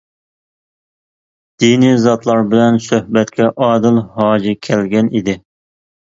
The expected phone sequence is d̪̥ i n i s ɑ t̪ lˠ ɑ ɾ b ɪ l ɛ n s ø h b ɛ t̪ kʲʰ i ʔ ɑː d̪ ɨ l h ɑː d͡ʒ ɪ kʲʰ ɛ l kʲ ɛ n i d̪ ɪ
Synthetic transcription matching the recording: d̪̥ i n i z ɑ t̪ lˠ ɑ ɾ b ɪ l ɛ n s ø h b ɛ t̪ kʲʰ ɛ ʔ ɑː d̪ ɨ l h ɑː d͡ʒ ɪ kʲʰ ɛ l ɡʲ ɛ n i d̪ ɪ